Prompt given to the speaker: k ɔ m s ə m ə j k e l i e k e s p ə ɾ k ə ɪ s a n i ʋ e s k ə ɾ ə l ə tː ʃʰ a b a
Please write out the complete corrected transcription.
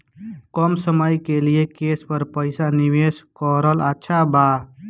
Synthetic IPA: k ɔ m s ə m ə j k e l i e k e s p ə ɾ p ə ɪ s a n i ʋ e s k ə ɾ ə l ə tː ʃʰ a b a